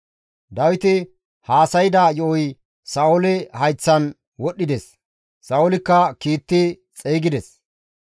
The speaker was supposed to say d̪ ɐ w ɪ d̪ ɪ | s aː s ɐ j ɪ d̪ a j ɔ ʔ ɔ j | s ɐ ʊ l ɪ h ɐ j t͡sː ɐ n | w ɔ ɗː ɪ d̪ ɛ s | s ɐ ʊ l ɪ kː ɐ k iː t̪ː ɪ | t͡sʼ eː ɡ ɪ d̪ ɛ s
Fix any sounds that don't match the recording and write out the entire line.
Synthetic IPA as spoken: d̪ ɐ w ɪ t̪ ɪ | h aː s ɐ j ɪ d̪ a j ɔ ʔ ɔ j | s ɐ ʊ l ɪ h ɐ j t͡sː ɐ n | w ɔ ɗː ɪ d̪ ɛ s | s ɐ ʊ l ɪ kː ɐ k iː t̪ː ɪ | t͡sʼ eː ɡ ɪ d̪ ɛ s